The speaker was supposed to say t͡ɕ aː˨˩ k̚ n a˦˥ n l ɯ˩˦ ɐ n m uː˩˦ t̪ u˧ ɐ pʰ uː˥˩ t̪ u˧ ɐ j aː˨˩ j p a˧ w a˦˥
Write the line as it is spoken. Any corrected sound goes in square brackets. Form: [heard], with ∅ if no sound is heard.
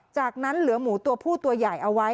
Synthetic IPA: t͡ɕ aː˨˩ k̚ n a˦˥ n l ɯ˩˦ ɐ [∅] m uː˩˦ t̪ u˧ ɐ pʰ uː˥˩ t̪ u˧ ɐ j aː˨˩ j [ʔ] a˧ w a˦˥